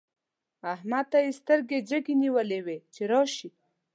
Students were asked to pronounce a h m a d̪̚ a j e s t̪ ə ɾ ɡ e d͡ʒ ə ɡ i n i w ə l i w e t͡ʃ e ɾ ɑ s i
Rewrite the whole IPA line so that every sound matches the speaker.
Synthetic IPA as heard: a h m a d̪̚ a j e s t̪ ə ɾ ɡ e d͡ʒ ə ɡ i n i w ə l e w e t͡ʃ e ɾ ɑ ʃ i